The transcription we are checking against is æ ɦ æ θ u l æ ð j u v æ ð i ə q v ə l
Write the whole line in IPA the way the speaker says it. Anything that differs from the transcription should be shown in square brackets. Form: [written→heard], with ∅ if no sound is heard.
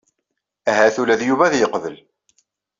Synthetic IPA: æ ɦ æ θ u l æ ð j u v æ ð [i→j] ə q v ə l